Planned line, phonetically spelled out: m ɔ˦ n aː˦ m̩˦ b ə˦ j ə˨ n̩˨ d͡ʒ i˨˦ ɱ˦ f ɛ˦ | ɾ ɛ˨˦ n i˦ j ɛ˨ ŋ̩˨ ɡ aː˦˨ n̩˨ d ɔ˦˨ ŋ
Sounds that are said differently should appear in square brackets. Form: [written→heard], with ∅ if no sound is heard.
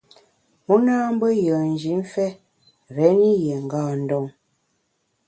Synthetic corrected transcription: m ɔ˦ n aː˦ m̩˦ b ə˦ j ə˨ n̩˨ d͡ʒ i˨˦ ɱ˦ f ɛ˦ | ɾ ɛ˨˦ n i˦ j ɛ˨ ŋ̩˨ ɡ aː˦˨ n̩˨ d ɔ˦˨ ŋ